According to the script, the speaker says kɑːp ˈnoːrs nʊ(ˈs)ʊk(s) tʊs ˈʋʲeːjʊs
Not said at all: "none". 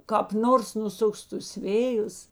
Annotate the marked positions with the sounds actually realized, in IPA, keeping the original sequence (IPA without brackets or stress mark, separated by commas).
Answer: s, s